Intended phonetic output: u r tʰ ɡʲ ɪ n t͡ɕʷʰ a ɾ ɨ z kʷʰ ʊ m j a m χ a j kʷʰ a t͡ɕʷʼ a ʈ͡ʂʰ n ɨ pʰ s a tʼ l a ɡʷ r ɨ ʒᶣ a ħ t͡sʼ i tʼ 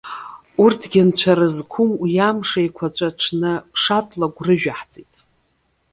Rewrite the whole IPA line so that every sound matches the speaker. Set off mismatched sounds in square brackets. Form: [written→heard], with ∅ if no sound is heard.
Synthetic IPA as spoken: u r tʰ ɡʲ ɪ n t͡ɕʷʰ a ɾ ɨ z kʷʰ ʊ m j a m [χ→ʂ] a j kʷʰ a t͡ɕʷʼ a ʈ͡ʂʰ n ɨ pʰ [s→ʂ] a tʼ l a ɡʷ r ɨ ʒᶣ a ħ t͡sʼ i tʼ